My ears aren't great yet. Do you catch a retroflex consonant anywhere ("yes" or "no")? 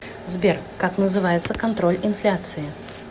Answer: no